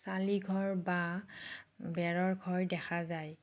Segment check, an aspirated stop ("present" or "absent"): absent